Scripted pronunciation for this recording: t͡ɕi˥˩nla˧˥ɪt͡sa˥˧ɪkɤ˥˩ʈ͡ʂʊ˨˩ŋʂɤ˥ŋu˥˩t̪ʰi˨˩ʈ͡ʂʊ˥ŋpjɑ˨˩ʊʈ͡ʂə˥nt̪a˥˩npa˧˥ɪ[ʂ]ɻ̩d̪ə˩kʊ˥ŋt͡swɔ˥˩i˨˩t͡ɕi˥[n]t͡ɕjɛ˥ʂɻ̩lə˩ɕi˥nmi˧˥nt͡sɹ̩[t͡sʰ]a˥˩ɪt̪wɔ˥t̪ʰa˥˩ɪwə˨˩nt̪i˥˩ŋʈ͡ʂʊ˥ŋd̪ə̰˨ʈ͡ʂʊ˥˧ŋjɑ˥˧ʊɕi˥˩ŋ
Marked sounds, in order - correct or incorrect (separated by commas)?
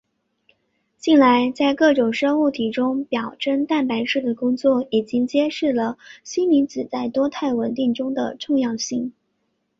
correct, incorrect, incorrect